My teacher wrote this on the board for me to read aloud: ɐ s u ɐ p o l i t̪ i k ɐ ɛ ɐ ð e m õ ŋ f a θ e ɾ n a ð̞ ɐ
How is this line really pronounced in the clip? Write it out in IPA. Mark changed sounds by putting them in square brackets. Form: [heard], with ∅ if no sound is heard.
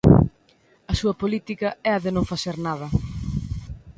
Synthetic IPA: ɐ s u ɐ p o l i t̪ i k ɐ ɛ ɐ ð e [n] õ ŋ f a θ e ɾ n a ð̞ ɐ